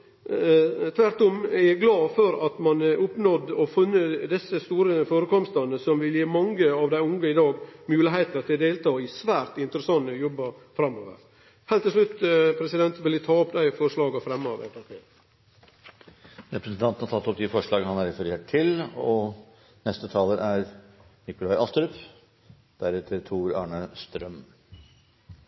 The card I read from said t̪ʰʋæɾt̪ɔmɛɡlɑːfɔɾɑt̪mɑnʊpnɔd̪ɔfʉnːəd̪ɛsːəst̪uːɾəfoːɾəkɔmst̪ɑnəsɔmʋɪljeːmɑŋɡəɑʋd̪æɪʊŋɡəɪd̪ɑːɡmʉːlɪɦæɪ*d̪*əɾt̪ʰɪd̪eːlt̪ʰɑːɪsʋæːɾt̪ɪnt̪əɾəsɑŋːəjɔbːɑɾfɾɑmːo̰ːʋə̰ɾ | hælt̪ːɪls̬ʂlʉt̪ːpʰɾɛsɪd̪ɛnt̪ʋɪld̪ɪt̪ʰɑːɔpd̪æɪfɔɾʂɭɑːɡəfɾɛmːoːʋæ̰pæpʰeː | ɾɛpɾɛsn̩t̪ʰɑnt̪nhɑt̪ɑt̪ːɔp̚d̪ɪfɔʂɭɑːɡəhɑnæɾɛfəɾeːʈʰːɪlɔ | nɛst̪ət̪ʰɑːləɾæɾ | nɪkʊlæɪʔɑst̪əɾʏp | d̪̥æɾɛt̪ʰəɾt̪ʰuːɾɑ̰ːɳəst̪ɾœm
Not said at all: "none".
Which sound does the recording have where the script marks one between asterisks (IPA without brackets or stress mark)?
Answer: t̪